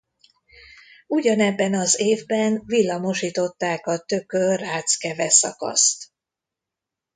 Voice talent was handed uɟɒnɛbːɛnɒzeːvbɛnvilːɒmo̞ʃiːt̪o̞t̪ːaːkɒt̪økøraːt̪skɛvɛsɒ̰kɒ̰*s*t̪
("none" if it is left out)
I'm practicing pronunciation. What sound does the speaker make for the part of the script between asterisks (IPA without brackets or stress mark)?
s